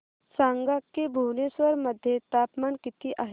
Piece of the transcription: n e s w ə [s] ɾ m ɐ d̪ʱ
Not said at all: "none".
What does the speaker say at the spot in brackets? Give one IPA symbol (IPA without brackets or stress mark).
none